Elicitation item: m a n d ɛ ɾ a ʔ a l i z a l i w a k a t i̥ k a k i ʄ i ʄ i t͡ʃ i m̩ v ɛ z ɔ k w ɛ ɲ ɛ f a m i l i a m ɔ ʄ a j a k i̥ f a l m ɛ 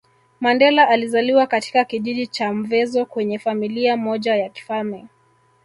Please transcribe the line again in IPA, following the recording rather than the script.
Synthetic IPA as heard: m a n d ɛ l a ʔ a l i z a l i w a k a t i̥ k a k i ʄ i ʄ i t͡ʃ a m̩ v ɛ z ɔ k w ɛ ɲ ɛ f a m i l i a m ɔ ʄ a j a k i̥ f a l m ɛ